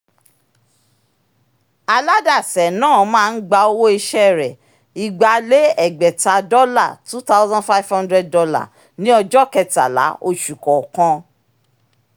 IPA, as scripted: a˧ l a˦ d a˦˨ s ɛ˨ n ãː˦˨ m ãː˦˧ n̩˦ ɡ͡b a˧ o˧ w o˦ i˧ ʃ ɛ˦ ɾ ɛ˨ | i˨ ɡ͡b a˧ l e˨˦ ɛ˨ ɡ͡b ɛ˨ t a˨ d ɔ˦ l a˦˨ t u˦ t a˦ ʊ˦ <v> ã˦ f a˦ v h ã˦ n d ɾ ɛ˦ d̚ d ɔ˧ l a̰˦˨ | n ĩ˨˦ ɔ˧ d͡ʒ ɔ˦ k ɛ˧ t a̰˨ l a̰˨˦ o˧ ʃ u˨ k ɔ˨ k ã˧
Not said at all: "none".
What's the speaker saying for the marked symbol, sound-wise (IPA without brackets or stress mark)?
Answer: z